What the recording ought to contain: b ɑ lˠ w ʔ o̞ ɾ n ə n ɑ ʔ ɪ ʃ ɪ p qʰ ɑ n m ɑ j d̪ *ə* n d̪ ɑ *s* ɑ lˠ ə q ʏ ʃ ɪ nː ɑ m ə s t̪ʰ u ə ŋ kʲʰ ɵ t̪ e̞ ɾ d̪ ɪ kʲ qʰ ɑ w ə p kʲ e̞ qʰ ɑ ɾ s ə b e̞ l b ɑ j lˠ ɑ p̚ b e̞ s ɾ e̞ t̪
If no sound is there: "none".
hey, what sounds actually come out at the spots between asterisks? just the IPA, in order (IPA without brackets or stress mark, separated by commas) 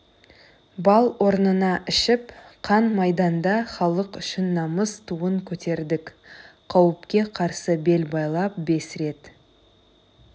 ɑ, χ